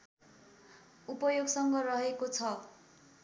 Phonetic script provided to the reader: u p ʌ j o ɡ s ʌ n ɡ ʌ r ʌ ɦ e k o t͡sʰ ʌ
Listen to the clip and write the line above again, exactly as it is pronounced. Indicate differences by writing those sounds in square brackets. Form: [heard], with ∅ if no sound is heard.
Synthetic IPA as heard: u p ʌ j o ɡ s ʌ [ŋ] ɡ ʌ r ʌ ɦ e k o t͡sʰ ʌ